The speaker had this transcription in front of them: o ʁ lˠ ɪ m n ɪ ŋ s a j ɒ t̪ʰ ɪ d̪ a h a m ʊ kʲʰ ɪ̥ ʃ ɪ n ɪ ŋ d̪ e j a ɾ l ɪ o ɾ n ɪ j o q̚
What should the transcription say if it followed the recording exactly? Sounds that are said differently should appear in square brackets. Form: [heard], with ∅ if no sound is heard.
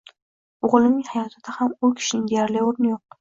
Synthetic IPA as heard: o ʁ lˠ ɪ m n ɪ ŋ [h] a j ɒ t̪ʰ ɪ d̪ a h a m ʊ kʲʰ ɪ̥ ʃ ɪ n ɪ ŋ d̪ e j a ɾ l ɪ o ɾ n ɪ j o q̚